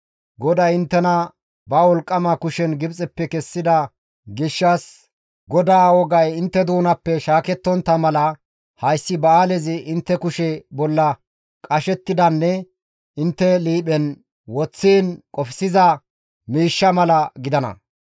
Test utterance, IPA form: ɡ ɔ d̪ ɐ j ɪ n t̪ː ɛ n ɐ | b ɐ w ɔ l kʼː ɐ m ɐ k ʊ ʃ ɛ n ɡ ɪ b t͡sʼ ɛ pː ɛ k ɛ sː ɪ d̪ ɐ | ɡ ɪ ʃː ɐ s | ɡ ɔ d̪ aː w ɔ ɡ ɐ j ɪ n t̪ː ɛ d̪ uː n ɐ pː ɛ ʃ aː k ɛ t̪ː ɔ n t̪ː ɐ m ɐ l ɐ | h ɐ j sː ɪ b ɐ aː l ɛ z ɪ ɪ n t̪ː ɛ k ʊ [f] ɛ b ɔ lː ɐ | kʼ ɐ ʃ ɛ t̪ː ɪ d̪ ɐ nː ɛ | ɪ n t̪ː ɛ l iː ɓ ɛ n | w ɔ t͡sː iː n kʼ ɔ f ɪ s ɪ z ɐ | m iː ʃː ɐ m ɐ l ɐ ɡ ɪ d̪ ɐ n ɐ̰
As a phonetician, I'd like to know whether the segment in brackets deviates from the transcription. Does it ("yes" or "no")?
yes